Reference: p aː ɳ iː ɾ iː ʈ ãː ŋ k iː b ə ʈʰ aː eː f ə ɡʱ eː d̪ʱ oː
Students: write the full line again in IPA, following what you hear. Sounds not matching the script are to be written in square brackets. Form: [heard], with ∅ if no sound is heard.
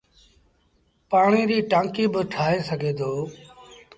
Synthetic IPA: p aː ɳ iː ɾ iː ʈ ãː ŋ k iː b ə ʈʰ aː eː [s] ə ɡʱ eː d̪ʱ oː